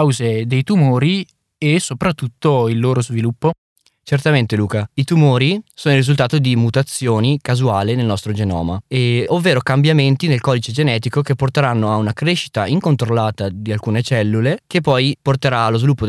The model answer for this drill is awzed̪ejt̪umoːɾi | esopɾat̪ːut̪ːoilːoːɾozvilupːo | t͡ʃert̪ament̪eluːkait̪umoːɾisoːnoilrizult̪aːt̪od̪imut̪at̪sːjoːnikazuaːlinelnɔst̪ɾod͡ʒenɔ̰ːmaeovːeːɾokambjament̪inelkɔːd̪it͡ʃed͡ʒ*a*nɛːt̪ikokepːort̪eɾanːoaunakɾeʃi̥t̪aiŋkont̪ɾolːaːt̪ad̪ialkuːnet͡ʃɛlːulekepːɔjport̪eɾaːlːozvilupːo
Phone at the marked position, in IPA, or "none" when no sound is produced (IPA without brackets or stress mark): e